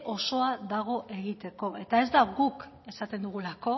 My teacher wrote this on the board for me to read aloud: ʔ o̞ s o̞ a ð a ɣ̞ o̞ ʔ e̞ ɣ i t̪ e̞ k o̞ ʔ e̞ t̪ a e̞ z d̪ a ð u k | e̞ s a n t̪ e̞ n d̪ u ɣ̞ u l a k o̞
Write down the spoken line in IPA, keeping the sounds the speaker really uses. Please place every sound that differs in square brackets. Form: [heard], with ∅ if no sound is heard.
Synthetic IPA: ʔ o̞ s o̞ a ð a ɣ̞ o̞ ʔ e̞ ɣ i t̪ e̞ k o̞ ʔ e̞ t̪ a e̞ z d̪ a [ɣ] u k | e̞ s a [∅] t̪ e̞ n d̪ u ɣ̞ u l a k o̞